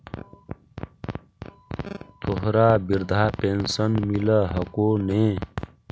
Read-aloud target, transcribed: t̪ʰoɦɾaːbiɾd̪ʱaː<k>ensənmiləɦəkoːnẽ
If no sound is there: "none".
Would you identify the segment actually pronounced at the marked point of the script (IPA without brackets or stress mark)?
p